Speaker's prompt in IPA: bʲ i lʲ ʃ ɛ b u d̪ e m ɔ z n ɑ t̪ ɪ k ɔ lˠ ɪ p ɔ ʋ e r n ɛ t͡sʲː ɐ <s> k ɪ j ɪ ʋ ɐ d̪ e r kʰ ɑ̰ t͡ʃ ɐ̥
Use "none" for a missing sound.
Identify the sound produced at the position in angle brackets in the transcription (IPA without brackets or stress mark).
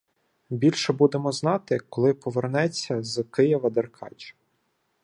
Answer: z